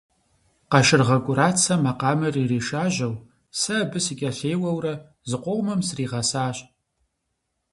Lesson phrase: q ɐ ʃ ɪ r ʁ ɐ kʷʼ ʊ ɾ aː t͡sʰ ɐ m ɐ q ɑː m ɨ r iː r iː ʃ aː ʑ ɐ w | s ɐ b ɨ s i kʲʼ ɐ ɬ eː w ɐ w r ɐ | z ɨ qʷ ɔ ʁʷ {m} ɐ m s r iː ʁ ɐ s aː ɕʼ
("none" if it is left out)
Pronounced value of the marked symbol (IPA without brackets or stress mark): m